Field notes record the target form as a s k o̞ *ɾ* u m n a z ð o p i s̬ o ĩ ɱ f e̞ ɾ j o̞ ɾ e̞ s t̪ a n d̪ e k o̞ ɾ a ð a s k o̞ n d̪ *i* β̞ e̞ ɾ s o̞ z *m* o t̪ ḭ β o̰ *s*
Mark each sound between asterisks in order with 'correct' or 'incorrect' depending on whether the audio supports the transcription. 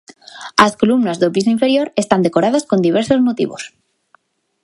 incorrect: l, correct, correct, correct

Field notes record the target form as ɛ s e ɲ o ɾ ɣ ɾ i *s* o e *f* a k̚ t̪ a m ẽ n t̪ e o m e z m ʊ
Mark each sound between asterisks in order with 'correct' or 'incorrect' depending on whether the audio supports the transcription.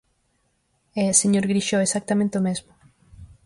incorrect: ʃ, incorrect: s

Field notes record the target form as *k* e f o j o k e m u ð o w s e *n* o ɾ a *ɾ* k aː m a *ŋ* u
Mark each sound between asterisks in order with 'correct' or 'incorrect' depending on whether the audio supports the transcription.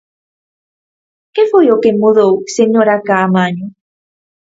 correct, incorrect: ɲ, incorrect: none, incorrect: ɲ

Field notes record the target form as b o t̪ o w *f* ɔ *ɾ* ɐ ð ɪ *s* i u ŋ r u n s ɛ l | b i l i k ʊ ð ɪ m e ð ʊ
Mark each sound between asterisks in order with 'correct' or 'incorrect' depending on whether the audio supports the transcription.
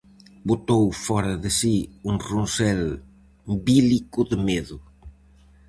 correct, correct, correct

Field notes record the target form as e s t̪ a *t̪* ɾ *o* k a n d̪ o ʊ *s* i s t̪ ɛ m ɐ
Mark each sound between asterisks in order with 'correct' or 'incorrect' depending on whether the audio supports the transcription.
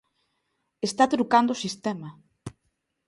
correct, incorrect: u, correct

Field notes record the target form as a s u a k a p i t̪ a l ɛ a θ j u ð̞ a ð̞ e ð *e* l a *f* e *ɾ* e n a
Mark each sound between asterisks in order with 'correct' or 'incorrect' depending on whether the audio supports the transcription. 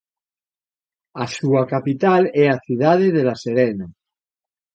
correct, incorrect: s, correct

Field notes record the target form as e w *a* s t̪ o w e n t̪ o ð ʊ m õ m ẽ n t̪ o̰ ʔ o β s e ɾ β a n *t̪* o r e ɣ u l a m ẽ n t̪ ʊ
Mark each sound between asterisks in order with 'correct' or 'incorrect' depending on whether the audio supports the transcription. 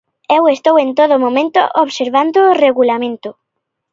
incorrect: e, incorrect: d̪

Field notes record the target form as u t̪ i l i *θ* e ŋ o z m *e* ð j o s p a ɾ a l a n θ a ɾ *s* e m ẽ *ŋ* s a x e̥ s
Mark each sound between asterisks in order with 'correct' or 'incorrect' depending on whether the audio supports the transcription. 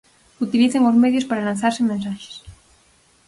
correct, correct, correct, incorrect: n

